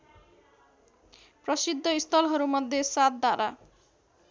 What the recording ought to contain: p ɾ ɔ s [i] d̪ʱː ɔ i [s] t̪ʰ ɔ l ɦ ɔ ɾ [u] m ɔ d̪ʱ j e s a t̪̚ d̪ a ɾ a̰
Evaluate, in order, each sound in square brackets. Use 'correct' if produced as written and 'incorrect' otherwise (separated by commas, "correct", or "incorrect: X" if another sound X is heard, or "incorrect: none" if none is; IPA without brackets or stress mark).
correct, correct, correct